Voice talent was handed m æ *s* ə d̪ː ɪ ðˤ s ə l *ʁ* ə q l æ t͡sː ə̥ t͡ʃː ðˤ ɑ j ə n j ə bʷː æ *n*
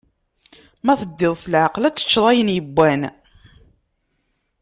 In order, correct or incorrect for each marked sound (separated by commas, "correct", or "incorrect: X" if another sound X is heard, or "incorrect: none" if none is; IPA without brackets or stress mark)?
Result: incorrect: θ, incorrect: ʕ, correct